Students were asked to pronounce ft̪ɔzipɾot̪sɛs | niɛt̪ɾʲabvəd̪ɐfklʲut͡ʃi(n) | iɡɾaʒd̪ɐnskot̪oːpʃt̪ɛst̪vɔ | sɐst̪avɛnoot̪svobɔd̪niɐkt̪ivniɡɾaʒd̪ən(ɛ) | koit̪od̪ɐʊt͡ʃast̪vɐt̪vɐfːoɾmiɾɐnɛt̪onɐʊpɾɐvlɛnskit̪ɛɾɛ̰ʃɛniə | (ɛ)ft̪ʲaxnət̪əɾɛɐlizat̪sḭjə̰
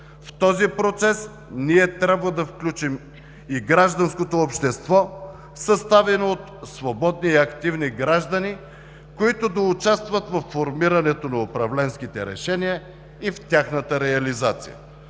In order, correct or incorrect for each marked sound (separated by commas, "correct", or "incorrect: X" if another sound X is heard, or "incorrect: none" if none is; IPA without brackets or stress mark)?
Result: incorrect: m, incorrect: i, incorrect: i